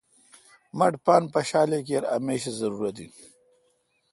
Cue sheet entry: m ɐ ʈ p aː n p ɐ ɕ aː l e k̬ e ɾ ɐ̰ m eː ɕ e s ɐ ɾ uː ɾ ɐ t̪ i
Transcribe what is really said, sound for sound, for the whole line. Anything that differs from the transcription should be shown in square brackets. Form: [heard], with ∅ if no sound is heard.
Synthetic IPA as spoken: m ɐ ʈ p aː n p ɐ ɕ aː l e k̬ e ɾ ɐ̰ m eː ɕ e [z] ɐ ɾ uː ɾ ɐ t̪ i